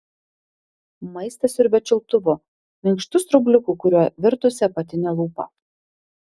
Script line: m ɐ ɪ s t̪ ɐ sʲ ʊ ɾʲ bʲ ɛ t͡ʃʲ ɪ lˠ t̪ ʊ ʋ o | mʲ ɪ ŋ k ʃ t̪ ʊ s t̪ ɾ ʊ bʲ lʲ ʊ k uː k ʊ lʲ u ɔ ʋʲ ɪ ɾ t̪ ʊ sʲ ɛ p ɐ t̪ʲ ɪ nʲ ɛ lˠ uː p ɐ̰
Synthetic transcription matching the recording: m ɐ ɪ s t̪ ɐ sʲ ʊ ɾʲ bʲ ɛ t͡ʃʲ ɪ lˠ t̪ ʊ ʋ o | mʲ ɪ ŋ k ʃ t̪ ʊ s t̪ ɾ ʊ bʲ lʲ ʊ k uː k ʊ ɾʲ u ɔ ʋʲ ɪ ɾ t̪ ʊ sʲ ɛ p ɐ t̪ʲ ɪ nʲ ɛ lˠ uː p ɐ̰